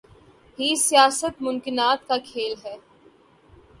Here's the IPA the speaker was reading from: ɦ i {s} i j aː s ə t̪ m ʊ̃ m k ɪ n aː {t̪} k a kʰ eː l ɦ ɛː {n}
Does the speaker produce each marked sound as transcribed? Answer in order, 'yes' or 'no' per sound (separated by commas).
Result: yes, yes, no